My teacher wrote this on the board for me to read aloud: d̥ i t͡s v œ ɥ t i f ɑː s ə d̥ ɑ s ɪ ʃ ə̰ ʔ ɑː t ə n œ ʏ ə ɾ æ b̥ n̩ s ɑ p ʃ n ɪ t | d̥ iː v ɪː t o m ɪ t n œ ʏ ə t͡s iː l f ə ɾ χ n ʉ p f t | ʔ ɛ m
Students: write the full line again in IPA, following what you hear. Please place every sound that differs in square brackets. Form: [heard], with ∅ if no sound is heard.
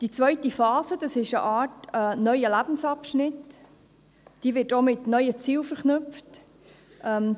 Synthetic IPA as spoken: d̥ i t͡s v œ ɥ t i f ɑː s ə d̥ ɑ s ɪ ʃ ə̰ ʔ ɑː t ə n œ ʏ ə [l] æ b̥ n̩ s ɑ p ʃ n ɪ t | d̥ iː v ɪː t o m ɪ t n œ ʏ ə t͡s iː l f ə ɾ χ n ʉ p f t | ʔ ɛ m